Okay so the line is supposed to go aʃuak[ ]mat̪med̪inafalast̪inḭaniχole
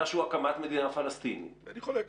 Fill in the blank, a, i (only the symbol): a